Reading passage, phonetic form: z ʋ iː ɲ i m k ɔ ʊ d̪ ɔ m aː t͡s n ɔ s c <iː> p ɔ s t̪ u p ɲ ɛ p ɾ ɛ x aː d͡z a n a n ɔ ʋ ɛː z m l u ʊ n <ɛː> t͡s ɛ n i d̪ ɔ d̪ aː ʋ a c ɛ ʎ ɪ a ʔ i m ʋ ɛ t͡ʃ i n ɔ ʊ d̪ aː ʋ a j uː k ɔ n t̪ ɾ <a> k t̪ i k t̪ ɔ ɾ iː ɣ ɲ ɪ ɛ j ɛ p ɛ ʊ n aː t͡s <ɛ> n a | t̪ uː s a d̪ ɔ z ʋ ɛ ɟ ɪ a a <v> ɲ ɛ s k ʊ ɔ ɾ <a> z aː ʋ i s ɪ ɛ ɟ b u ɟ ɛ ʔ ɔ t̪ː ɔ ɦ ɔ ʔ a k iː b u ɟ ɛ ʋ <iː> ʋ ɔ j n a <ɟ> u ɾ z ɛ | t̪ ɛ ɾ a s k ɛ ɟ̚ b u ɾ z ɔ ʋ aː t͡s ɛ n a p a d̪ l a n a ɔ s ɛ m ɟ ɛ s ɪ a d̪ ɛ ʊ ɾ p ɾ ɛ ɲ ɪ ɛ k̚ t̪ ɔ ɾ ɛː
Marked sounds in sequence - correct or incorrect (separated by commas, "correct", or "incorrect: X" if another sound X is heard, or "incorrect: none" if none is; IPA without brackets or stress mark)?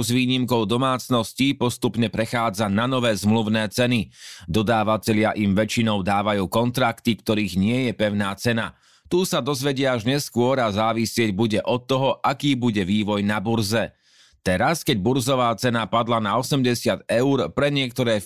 incorrect: i, correct, correct, correct, incorrect: ʒ, correct, correct, incorrect: b